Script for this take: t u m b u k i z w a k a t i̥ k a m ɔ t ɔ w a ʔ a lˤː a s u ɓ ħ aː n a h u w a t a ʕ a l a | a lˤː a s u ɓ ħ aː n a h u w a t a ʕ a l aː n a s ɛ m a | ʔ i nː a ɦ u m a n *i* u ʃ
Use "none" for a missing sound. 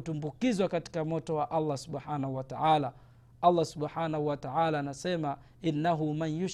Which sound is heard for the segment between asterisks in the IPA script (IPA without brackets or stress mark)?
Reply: j